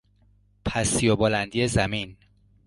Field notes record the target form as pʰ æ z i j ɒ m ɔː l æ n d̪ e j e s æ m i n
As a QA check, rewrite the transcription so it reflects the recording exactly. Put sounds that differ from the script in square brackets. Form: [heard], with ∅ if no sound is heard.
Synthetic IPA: pʰ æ [s] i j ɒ [b] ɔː l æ n d̪ [i] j e [z] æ m i n